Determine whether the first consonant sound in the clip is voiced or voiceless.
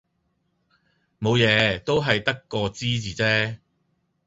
voiced